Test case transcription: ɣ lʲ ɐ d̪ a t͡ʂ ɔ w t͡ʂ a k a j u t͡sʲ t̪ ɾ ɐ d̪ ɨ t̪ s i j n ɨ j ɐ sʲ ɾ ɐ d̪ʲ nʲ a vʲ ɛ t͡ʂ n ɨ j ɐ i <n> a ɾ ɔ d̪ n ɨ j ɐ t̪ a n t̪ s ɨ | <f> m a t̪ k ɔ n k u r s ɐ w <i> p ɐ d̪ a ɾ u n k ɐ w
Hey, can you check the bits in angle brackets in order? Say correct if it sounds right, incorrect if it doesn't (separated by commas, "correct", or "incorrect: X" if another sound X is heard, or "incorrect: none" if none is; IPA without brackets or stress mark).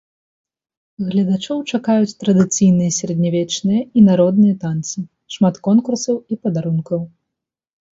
correct, incorrect: ʂ, correct